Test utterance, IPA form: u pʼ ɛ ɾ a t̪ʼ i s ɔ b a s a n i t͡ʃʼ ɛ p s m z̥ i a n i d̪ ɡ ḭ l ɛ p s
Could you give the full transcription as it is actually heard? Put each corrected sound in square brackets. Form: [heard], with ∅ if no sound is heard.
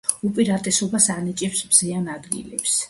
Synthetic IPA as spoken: u pʼ [i] ɾ a t̪ʼ [ɛ] s ɔ b a s a n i t͡ʃʼ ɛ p s m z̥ i a n [a] d̪ ɡ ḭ l ɛ p s